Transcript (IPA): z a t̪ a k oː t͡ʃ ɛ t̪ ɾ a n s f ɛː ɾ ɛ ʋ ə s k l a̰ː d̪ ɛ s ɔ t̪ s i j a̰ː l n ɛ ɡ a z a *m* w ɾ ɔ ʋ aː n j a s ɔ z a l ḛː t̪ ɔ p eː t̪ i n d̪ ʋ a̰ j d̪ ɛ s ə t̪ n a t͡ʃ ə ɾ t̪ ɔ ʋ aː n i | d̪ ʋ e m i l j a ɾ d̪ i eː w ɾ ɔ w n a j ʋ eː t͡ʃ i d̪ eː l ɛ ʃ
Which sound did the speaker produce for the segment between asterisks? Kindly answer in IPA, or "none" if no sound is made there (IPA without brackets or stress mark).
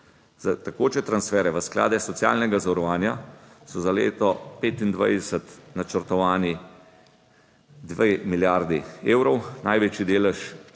none